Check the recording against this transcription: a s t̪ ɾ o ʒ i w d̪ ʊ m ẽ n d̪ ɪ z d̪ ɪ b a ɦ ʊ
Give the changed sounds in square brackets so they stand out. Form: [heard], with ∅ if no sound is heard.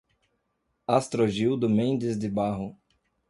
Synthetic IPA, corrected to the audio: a s t̪ ɾ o ʒ i w d̪ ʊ m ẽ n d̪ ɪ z d̪ ɪ b a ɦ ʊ